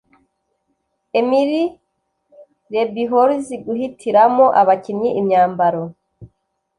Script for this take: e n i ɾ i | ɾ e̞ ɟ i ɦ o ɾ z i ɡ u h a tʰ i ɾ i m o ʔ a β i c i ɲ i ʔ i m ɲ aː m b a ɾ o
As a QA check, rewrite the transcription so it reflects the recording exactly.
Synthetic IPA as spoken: e m i ɾ i | ɾ e̞ b i ɦ o ɾ z i ɡ u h i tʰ i ɾ a m o ʔ a β a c i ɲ i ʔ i m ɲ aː m b a ɾ o